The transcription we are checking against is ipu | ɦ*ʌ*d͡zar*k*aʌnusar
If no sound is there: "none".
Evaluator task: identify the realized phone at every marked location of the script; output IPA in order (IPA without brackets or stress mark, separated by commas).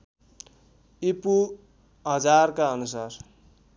ʌ, k